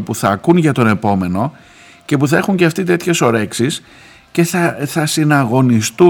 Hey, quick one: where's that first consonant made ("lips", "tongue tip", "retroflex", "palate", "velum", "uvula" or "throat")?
lips